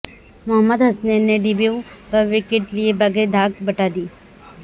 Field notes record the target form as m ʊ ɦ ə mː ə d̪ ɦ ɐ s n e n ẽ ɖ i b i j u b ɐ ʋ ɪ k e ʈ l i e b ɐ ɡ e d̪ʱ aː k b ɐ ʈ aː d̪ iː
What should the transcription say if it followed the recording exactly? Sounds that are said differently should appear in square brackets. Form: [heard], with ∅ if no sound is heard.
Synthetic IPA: m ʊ ɦ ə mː ə d̪ ɦ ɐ s n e n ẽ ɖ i b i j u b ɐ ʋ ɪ k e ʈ l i e b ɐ ɡ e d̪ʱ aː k b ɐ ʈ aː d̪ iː